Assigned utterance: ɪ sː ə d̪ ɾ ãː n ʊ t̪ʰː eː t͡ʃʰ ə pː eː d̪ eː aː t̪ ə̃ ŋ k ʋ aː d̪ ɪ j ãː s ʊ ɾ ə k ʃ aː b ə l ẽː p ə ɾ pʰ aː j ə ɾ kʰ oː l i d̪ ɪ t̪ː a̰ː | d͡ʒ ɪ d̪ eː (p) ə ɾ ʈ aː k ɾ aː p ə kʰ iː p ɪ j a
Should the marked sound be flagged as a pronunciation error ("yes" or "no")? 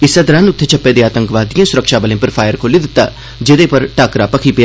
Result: no